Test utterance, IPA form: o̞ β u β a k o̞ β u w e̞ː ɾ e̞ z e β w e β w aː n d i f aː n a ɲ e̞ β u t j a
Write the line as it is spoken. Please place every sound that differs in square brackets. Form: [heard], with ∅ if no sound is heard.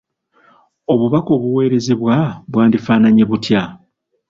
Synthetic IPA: o̞ β u β a k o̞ β u w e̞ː ɾ e̞ z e β w [a] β w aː n d i f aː n a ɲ e̞ β u t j a